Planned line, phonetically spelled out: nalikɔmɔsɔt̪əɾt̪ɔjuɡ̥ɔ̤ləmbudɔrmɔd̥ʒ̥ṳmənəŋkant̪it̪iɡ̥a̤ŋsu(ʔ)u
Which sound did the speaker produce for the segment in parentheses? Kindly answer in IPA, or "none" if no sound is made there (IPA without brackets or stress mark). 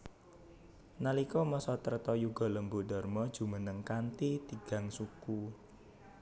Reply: k